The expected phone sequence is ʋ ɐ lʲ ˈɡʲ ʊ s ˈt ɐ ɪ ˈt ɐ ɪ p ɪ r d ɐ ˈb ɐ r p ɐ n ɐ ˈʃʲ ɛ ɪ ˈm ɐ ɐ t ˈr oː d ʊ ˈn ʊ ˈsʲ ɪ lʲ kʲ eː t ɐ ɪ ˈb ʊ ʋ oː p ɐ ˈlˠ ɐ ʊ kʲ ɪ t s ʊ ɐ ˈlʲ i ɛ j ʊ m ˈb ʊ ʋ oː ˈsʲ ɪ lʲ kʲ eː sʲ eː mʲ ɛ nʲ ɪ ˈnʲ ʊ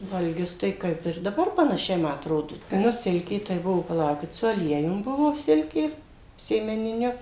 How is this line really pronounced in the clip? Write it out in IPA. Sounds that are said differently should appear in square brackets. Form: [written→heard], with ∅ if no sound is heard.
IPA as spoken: ʋ ɐ lʲ ˈɡʲ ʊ s ˈt ɐ ɪ [ˈt→ˈk] ɐ ɪ p ɪ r d ɐ ˈb ɐ r p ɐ n ɐ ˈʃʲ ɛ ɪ ˈm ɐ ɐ t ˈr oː d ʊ ˈn ʊ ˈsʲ ɪ lʲ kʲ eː t ɐ ɪ ˈb ʊ ʋ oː p ɐ ˈlˠ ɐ ʊ kʲ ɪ t s ʊ ɐ ˈlʲ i ɛ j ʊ m ˈb ʊ ʋ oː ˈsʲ ɪ lʲ kʲ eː sʲ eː mʲ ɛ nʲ ɪ ˈnʲ ʊ